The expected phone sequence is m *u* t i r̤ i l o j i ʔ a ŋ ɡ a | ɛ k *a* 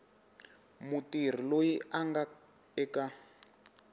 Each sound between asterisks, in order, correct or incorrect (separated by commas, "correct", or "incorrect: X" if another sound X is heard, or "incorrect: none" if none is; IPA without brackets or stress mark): correct, correct